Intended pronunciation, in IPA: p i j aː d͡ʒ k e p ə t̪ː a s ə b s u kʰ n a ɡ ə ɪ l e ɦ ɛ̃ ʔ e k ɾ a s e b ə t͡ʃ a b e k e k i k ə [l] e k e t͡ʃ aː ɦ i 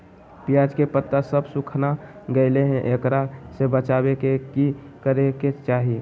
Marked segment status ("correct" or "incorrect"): incorrect